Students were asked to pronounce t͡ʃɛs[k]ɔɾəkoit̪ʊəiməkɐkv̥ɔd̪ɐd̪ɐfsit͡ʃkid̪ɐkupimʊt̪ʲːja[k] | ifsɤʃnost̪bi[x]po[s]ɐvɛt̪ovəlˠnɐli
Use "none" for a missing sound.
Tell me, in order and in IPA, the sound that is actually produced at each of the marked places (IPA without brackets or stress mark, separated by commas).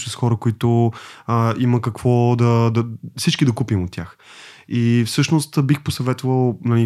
x, x, x, s